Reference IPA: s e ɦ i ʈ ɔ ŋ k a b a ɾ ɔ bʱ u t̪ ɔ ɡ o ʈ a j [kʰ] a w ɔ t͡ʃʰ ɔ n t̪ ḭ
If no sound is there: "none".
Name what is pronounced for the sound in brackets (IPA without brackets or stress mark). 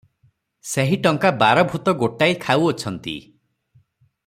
kʰ